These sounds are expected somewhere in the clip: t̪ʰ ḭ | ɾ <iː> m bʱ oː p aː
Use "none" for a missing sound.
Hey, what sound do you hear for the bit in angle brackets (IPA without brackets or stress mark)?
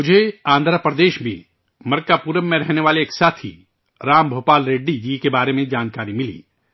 aː